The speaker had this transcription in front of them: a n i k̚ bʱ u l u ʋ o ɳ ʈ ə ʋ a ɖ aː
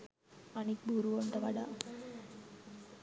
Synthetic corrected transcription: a n i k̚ bʱ u ɾ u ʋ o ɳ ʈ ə ʋ a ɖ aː